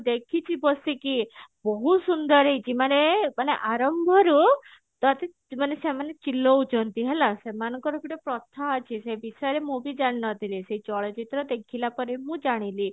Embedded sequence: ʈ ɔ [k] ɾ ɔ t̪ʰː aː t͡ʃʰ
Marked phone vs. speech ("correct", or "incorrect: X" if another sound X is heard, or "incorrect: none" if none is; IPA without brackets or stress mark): incorrect: p